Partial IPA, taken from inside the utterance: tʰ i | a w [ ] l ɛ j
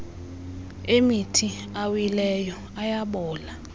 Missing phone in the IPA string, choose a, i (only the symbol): i